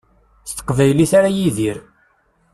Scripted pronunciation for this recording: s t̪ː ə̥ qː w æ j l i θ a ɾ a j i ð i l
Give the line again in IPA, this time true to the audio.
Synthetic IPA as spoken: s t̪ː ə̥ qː v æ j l i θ a ɾ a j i ð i ɾ